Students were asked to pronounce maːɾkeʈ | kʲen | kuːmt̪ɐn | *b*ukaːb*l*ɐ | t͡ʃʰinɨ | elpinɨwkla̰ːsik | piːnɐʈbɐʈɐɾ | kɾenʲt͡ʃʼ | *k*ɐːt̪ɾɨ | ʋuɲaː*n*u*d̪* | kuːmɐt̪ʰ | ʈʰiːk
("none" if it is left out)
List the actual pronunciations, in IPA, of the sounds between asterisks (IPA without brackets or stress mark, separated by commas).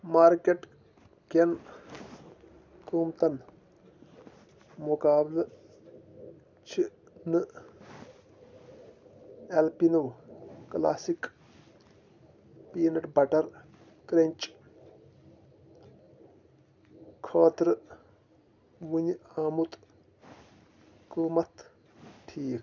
m, l, kʰ, m, t̪